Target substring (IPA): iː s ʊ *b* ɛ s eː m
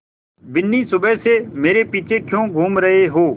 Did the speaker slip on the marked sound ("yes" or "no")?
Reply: no